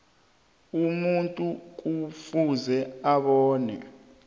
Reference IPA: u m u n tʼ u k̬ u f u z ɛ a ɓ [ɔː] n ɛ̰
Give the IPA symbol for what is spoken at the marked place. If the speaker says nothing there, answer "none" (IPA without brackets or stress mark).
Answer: ɔː